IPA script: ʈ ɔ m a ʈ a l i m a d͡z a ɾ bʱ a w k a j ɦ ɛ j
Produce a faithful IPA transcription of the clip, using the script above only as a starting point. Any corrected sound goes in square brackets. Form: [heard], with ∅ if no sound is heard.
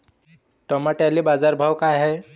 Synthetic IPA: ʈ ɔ m a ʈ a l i [b] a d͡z a ɾ bʱ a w k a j ɦ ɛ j

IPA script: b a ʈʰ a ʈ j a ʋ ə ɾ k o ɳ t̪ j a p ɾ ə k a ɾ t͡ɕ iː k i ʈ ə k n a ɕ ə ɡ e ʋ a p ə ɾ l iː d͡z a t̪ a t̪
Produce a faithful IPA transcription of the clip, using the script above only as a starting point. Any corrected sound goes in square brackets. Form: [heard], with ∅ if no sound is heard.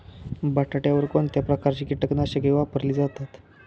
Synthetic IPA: b a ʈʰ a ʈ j a ʋ ə ɾ k o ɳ t̪ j a p ɾ ə k a ɾ t͡ɕ iː k i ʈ ə k n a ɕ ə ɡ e ʋ a p ə ɾ l iː d͡z a t̪ a t̪

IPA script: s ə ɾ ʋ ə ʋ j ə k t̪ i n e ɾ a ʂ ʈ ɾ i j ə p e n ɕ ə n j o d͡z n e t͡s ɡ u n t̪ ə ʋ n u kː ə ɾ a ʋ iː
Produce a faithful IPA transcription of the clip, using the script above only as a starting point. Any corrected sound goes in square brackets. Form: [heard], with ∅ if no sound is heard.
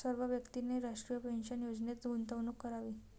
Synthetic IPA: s ə ɾ ʋ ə ʋ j ə k t̪ i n e ɾ a ʂ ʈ ɾ i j ə p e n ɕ ə n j o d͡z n e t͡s ɡ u n t̪ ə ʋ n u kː ə ɾ a ʋ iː

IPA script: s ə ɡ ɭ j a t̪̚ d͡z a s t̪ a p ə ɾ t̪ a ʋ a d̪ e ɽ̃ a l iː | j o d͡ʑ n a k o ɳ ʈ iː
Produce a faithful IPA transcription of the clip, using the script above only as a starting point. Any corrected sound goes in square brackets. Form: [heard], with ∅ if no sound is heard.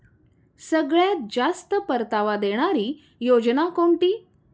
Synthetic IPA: s ə ɡ ɭ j a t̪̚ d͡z a s t̪ [ə] p ə ɾ t̪ a ʋ a d̪ e ɽ̃ a [ɾ] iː | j o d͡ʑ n a k o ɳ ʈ iː

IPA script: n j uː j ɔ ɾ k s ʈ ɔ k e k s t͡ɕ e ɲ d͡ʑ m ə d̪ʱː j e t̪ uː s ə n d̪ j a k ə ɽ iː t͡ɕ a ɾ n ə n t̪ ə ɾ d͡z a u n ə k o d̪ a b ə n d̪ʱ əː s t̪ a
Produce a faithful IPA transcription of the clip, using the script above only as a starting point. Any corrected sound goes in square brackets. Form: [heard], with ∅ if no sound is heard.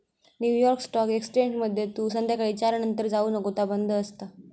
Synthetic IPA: n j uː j ɔ ɾ k s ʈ ɔ k e k s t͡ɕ e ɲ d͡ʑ m ə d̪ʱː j e t̪ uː s ə n d̪ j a k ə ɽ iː t͡ɕ a ɾ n ə n t̪ ə ɾ d͡z a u n ə k o [t̪] a b ə n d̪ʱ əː s t̪ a

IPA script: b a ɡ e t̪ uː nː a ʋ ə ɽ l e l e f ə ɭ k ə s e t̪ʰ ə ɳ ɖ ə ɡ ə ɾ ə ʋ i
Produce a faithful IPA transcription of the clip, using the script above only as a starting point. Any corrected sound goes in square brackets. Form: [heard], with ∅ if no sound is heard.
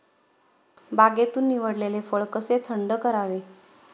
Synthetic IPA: b a ɡ e t̪ uː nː [i] ʋ ə ɽ l e l e f ə ɭ k ə s e t̪ʰ ə ɳ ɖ ə [k] ə ɾ [a] ʋ [e]

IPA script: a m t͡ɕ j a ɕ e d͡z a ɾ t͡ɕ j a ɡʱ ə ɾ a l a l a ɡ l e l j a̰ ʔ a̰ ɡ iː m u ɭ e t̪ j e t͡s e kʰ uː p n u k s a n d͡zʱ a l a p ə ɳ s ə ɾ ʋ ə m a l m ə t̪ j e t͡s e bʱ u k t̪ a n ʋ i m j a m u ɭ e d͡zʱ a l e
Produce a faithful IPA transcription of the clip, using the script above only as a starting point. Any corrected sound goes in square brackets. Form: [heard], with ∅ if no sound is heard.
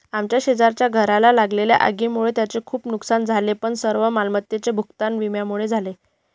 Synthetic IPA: a m t͡ɕ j a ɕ e d͡z a ɾ t͡ɕ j a ɡʱ ə ɾ a l a l a ɡ l e l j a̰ ʔ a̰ ɡ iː m u ɭ e t̪ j [a] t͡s e kʰ uː p n u k s a n d͡zʱ a l [e] p ə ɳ s ə ɾ ʋ ə m a l m ə t̪ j e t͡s e bʱ u k t̪ a n ʋ i m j a m u ɭ e d͡zʱ a l e

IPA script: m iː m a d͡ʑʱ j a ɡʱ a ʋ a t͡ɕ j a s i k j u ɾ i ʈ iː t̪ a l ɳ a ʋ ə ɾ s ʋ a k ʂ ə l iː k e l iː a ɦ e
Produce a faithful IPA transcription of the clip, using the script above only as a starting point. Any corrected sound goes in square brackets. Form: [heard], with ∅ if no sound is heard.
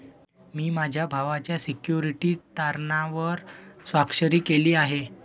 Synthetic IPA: m iː m a d͡ʑʱ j a [bʱ] a ʋ a t͡ɕ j a s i k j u ɾ i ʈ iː t̪ a [ɾ] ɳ a ʋ ə ɾ s ʋ a k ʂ ə [ɾ] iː k e l iː a ɦ e

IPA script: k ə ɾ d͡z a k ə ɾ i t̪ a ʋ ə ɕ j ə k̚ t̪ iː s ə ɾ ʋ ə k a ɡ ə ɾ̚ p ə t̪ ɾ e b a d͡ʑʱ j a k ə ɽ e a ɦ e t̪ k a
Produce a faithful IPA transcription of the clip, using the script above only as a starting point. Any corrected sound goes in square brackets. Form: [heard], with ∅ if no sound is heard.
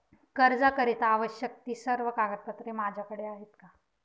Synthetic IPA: k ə ɾ d͡z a k ə ɾ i t̪ a ʋ ə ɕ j ə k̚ t̪ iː s ə ɾ ʋ ə k a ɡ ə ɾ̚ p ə t̪ ɾ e [m] a d͡ʑʱ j a k ə ɽ e a ɦ e t̪ k a

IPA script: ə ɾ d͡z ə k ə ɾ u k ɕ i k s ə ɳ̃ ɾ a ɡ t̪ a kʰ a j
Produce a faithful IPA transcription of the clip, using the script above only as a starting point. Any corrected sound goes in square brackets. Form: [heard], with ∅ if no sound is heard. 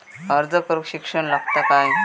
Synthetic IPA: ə ɾ d͡z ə k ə ɾ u k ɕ i k [ʂ] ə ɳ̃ [l] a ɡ t̪ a [k] a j

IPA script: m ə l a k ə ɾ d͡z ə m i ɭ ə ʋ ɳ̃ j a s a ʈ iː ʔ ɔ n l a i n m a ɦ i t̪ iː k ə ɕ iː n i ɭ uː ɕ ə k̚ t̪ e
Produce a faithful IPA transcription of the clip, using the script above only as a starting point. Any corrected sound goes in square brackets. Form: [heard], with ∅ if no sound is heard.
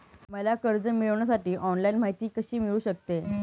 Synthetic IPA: m ə l a k ə ɾ d͡z ə m i ɭ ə ʋ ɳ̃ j a s a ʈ iː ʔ ɔ n l a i n m a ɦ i t̪ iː k ə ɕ iː [m] i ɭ uː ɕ ə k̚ t̪ e

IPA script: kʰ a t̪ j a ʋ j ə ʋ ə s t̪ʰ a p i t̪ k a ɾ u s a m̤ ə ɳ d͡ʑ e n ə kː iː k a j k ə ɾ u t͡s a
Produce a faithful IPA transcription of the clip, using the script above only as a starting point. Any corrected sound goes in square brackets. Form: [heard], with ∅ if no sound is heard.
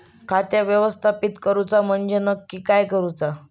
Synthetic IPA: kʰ a t̪ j a ʋ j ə ʋ ə s t̪ʰ a p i t̪ k [ə] ɾ u [t͡s] a m̤ ə ɳ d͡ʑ e n ə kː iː k a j k ə ɾ u t͡s a

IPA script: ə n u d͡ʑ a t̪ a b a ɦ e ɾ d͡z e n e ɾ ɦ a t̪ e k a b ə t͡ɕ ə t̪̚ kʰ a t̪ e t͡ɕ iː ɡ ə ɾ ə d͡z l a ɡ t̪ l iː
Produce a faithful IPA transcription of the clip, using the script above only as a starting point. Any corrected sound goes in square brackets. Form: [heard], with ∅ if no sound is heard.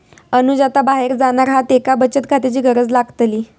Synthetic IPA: ə n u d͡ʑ a t̪ a b a ɦ e ɾ d͡z [a] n [a] ɾ ɦ a t̪ e k a b ə t͡ɕ ə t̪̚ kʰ a t̪ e t͡ɕ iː ɡ ə ɾ ə d͡z l a ɡ t̪ l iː

